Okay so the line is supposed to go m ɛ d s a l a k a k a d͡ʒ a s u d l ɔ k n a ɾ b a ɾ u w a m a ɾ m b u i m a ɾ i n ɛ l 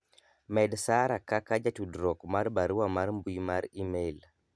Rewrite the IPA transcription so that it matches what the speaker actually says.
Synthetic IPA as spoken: m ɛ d s a ɾ a k a k a d͡ʒ a t u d ɾ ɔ k m a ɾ b a ɾ u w a m a ɾ m b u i m a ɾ i m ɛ l